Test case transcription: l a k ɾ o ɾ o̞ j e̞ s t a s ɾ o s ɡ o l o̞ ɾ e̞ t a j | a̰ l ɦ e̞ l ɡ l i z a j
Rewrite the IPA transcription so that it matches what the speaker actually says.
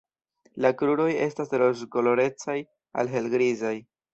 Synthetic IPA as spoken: l a k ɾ u ɾ o̞ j e̞ s t a s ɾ o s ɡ o l o̞ ɾ e̞ t͡s a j | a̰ l ɦ e̞ l ɡ ɾ i z a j

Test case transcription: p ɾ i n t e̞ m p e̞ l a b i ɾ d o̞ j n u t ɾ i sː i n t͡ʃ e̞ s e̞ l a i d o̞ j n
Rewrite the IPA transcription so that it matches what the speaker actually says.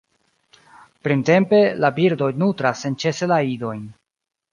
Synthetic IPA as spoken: p ɾ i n t e̞ m p e̞ l a b i ɾ d o̞ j n u t ɾ a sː e n t͡ʃ e̞ s e̞ l a i d o̞ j n

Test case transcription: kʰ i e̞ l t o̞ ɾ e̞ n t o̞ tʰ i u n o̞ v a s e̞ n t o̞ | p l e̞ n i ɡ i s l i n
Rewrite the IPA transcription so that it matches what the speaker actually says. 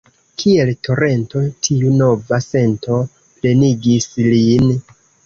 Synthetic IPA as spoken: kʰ i e̞ l t o̞ ɾ e̞ n t o̞ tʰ i u n o̞ v a s e̞ n t o̞ | p l e̞ n i ɡ i s l i n

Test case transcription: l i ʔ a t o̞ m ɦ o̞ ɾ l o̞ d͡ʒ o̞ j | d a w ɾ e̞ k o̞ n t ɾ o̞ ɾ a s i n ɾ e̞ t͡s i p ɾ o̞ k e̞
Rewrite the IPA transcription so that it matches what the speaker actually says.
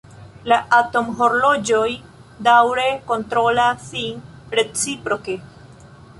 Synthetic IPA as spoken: l a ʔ a t o̞ m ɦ o̞ ɾ l o̞ d͡ʒ o̞ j | d a w ɾ e̞ k o̞ n t ɾ o̞ l a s i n ɾ e̞ t͡s i p ɾ o̞ k e̞

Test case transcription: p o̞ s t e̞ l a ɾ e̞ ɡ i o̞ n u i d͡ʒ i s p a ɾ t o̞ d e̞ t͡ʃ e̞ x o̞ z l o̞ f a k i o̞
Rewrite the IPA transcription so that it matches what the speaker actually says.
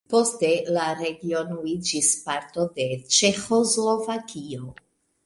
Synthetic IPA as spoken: p o̞ s t e̞ l a ɾ e̞ ɡ i o̞ n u i d͡ʒ i s p a ɾ t o̞ d e̞ t͡ʃ e̞ x o̞ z l o̞ v a k i o̞

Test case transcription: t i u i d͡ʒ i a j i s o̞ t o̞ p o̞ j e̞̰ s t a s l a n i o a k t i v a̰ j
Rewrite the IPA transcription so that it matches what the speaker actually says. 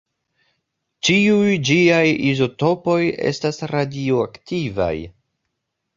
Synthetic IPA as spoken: t͡ʃ i u j d͡ʒ i a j i z o̞ t o̞ p o̞ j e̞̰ s t a s ɾ a d i o a k t i v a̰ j

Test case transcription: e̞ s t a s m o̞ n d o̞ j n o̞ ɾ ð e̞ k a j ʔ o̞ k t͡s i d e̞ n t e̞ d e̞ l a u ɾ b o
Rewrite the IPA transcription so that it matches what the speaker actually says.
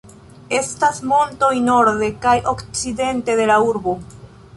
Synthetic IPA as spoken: e̞ s t a s m o̞ n t o̞ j n o̞ ɾ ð e̞ k a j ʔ o̞ k t͡s i d e̞ n t e̞ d e̞ l a u ɾ b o

